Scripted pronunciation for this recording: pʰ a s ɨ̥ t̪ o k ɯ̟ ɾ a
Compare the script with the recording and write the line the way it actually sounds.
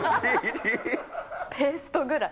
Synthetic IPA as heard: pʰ e s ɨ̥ t̪ o ɡ ɯ̟ ɾ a